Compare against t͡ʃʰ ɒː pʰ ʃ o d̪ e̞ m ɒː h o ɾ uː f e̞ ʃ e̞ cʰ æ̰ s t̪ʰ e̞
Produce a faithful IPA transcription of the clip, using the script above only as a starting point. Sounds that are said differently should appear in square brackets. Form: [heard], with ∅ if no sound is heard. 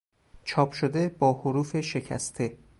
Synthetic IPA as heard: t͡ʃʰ ɒː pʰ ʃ o d̪ e̞ [b] ɒː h o ɾ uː f e̞ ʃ e̞ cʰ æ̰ s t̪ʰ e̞